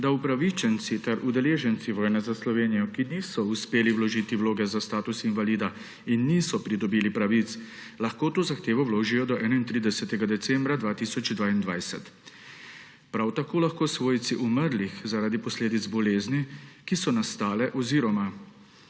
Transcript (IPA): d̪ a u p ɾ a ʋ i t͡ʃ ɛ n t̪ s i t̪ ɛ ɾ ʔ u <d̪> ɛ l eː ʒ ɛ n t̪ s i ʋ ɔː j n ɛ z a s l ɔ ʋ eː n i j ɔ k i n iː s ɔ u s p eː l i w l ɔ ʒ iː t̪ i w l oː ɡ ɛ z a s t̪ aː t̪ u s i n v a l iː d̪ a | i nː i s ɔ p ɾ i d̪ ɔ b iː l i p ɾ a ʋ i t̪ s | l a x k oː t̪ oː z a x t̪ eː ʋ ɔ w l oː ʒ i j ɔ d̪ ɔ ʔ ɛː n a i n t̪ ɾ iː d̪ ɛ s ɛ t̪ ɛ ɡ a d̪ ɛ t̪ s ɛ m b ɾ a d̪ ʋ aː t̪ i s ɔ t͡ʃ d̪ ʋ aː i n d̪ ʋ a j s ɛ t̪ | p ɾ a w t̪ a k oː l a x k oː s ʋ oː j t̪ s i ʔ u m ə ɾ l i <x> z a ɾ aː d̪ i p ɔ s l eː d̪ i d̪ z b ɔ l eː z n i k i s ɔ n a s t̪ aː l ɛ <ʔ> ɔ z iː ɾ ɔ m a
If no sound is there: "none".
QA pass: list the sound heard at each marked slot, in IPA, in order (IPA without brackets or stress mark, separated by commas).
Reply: d̪, x, ʔ